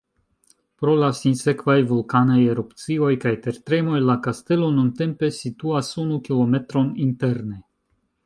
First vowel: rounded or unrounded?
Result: rounded